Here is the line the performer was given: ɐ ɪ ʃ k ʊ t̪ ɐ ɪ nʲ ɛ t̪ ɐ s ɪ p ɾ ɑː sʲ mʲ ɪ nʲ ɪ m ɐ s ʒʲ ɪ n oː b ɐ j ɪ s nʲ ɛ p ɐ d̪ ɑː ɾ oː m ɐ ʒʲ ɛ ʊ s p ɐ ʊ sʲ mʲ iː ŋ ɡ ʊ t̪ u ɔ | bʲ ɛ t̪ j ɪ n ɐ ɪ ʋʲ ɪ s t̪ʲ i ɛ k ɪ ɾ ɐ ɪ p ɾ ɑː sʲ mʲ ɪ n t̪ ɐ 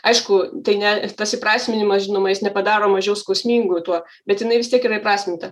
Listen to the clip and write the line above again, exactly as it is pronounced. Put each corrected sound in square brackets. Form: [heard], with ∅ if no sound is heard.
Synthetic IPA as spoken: ɐ ɪ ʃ k ʊ t̪ ɐ ɪ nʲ ɛ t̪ ɐ s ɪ p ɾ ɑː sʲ mʲ ɪ nʲ ɪ m ɐ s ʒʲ ɪ n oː [m] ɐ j ɪ s nʲ ɛ p ɐ d̪ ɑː ɾ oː m ɐ ʒʲ ɛ ʊ s [k] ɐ ʊ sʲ mʲ iː ŋ ɡ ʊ t̪ u ɔ | bʲ ɛ t̪ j ɪ n ɐ ɪ ʋʲ ɪ s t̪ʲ i ɛ k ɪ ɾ ɐ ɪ p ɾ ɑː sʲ mʲ ɪ n t̪ ɐ

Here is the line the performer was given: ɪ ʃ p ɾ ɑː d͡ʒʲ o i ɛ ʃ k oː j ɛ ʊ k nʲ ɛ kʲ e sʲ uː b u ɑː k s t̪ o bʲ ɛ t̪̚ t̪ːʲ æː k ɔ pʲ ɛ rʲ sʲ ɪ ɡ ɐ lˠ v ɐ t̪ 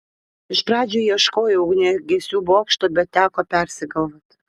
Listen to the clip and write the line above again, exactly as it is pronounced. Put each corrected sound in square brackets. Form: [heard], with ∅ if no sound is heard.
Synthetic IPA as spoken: ɪ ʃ p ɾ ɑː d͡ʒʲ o i ɛ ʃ k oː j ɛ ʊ [ɡ] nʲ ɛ [ɡʲ] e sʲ uː b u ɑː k [ʃ] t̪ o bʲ ɛ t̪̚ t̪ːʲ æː k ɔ pʲ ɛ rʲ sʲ ɪ ɡ ɐ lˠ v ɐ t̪

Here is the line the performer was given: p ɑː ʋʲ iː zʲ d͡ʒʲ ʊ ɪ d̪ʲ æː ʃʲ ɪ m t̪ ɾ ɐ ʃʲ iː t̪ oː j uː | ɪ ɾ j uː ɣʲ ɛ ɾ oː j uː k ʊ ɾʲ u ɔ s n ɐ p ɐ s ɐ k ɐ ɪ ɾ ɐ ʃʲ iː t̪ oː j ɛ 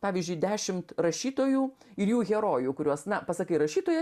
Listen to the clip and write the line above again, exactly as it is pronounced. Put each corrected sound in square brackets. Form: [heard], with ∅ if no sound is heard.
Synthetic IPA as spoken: p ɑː ʋʲ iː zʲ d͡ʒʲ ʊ ɪ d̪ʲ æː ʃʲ ɪ m t̪ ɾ ɐ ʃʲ iː t̪ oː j uː | ɪ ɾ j uː ɣʲ ɛ ɾ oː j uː k ʊ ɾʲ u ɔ s n ɐ p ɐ s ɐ k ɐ ɪ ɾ ɐ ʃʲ iː t̪ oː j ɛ

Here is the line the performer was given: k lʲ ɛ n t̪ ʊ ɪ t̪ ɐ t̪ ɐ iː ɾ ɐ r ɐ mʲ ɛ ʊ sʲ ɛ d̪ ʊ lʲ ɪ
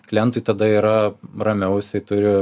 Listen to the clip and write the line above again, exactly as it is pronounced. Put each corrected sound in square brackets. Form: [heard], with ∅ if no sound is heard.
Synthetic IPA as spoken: k lʲ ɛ n t̪ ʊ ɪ t̪ ɐ [d̪] ɐ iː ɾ ɐ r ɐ mʲ ɛ ʊ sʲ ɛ [t̪] ʊ [ɾʲ] ɪ

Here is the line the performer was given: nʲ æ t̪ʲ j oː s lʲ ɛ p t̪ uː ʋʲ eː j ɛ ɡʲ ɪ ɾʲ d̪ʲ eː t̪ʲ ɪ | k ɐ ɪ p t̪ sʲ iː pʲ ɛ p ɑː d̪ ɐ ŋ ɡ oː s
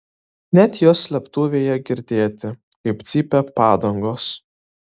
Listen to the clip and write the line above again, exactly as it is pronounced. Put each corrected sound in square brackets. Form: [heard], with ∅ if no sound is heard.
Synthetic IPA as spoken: nʲ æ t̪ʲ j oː s lʲ ɛ p t̪ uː ʋʲ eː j ɛ ɡʲ ɪ ɾʲ d̪ʲ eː t̪ʲ ɪ | k ɐ ɪ p t̪ sʲ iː pʲ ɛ p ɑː d̪ ɐ ŋ ɡ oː s

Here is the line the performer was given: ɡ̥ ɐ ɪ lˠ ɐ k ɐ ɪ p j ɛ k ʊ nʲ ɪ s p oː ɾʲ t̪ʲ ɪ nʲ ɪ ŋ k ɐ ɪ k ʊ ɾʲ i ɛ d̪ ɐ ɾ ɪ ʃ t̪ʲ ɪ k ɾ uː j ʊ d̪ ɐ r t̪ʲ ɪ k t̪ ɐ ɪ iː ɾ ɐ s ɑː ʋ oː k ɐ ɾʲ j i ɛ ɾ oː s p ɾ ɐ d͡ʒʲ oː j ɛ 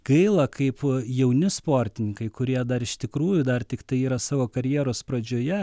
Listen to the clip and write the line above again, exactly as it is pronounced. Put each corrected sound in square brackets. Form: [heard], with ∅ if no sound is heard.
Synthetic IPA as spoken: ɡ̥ ɐ ɪ lˠ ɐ k ɐ ɪ p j ɛ [∅] ʊ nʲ ɪ s p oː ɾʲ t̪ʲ ɪ nʲ ɪ ŋ k ɐ ɪ k ʊ ɾʲ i ɛ d̪ ɐ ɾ ɪ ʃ t̪ʲ ɪ k ɾ uː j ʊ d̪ ɐ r t̪ʲ ɪ k t̪ ɐ ɪ iː ɾ ɐ s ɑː ʋ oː k ɐ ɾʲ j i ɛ ɾ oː s p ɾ ɐ d͡ʒʲ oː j ɛ

